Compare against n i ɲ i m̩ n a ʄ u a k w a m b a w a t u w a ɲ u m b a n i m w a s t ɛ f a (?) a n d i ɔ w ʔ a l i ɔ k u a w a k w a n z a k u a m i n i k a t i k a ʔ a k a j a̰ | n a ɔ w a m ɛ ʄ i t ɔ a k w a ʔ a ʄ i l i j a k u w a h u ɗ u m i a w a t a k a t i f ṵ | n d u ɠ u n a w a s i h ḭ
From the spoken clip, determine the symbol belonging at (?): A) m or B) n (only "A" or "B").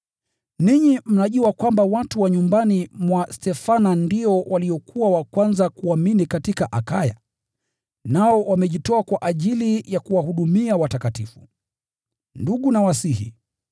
B